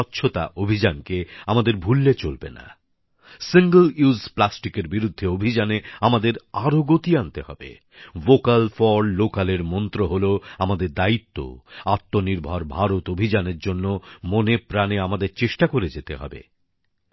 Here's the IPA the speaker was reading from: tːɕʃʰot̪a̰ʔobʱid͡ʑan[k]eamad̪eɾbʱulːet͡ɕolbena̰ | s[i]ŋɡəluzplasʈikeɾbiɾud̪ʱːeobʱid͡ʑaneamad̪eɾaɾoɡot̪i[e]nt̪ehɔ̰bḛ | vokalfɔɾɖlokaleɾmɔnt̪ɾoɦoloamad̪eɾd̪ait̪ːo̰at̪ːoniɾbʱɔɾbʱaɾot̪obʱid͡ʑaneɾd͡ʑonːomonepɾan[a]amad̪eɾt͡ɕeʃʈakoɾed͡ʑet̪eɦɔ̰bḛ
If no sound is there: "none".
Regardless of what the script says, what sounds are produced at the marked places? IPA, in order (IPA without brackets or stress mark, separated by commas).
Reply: k, i, a, e